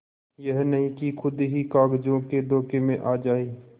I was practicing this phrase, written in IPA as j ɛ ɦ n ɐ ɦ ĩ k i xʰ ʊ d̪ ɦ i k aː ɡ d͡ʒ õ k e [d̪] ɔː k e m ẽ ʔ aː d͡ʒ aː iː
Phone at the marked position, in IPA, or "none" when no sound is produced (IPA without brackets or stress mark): d̪